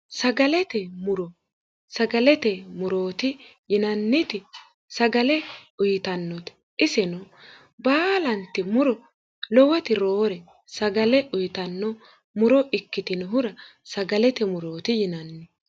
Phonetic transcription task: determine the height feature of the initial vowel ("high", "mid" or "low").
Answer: low